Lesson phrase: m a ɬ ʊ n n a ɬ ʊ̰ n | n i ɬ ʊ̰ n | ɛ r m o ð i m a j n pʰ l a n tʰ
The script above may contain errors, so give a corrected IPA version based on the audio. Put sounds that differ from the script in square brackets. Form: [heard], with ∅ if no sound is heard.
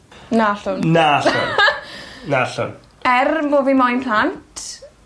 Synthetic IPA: [n] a ɬ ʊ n n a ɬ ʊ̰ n | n [a] ɬ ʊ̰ n | ɛ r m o [v] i m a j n pʰ l a n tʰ